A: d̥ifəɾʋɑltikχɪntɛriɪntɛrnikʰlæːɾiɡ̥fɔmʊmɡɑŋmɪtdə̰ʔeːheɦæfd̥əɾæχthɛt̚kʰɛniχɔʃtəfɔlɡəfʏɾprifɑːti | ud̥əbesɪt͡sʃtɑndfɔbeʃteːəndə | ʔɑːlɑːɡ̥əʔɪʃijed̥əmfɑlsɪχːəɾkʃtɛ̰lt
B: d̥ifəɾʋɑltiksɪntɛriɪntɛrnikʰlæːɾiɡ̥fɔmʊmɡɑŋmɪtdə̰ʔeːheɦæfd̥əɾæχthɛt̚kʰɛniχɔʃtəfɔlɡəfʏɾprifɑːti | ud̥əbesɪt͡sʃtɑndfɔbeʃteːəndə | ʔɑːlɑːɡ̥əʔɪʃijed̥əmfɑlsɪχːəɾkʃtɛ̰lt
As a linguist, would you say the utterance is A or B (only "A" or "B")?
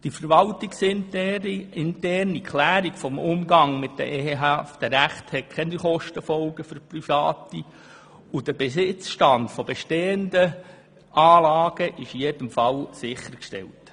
B